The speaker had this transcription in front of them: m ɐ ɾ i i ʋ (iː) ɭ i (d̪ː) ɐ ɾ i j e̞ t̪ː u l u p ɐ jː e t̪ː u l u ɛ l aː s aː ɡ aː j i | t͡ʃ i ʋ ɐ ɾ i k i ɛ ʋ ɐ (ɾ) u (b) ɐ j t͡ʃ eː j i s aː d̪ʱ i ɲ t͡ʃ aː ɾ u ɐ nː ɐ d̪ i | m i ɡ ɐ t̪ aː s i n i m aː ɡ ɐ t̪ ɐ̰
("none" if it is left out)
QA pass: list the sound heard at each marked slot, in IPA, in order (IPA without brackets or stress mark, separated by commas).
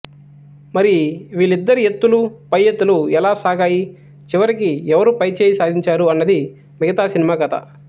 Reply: iː, d̪ː, ɾ, p